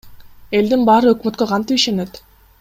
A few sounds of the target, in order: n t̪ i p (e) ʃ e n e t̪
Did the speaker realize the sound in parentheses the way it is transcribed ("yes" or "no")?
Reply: no